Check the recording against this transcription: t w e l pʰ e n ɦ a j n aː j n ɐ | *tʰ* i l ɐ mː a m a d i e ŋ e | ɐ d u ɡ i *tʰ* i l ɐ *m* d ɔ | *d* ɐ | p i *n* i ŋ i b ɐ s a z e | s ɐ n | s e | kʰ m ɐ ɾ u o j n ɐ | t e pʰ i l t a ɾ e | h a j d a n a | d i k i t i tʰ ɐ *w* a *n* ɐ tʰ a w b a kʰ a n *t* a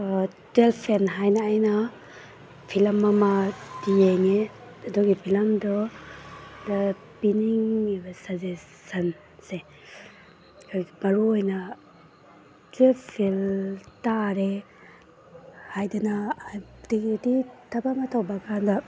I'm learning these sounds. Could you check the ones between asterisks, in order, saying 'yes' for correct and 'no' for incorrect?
no, no, yes, yes, yes, no, no, no

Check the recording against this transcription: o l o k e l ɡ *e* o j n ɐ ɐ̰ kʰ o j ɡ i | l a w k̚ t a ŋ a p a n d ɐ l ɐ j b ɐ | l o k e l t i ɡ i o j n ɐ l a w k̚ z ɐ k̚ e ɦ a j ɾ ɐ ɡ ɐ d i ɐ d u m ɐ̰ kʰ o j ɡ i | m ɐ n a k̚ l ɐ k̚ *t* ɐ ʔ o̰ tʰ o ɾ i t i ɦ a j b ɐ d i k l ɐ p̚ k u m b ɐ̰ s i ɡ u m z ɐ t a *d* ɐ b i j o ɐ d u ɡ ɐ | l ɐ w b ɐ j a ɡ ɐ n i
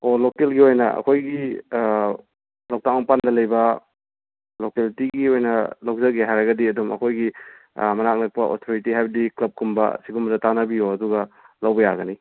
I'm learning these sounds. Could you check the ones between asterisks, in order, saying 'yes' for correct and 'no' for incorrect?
no, no, no

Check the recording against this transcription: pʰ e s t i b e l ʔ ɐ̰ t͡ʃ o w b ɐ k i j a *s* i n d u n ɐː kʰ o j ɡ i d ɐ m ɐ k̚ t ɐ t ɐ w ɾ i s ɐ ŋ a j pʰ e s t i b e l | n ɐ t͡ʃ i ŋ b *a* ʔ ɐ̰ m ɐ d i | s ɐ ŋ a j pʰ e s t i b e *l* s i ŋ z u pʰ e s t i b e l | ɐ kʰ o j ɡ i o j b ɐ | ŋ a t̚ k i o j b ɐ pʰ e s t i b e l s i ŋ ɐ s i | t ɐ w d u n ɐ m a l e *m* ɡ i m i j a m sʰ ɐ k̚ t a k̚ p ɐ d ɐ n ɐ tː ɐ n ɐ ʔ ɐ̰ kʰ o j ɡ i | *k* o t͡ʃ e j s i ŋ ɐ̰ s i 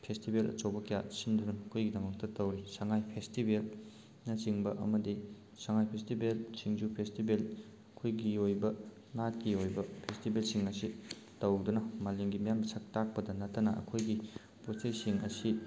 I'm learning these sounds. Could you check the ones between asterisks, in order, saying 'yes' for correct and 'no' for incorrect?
yes, no, yes, no, no

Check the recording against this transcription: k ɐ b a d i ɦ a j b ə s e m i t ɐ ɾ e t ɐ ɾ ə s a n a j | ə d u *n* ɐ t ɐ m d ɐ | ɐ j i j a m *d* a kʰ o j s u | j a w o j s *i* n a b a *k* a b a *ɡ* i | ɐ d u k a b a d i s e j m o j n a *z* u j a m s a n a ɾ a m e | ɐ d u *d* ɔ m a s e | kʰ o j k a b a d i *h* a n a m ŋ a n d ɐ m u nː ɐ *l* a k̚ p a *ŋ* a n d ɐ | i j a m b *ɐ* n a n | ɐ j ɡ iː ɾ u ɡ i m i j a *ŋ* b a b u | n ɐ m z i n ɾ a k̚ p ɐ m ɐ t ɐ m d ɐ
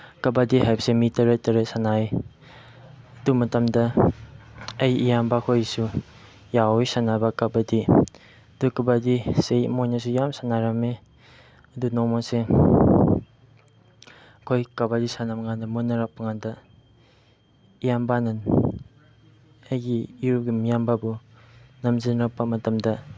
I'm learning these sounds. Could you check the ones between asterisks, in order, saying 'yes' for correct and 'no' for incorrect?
no, no, no, yes, no, no, no, no, no, yes, no, no

